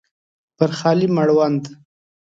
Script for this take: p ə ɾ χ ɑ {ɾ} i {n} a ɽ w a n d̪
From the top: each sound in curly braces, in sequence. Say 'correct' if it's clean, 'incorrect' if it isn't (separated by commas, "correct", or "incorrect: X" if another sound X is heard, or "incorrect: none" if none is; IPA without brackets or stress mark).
incorrect: l, incorrect: m